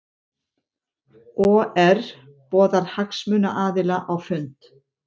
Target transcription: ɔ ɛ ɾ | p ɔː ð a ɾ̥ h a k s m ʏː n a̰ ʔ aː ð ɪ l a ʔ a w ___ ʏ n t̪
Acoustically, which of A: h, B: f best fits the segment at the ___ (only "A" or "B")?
B